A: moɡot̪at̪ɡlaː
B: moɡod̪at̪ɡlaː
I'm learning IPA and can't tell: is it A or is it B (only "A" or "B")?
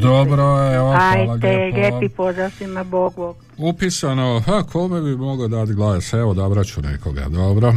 B